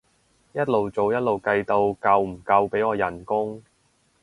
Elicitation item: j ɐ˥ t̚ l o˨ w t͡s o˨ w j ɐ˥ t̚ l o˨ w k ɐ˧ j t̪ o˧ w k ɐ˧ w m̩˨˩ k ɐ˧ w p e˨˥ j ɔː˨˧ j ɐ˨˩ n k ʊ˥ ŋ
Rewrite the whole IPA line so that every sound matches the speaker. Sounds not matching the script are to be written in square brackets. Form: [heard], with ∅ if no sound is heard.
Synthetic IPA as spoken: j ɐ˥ t̚ l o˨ w t͡s o˨ w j ɐ˥ t̚ l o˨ w k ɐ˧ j t̪ o˧ w k ɐ˧ w m̩˨˩ k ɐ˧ w p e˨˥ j ɔː˨˧ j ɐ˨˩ n k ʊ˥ ŋ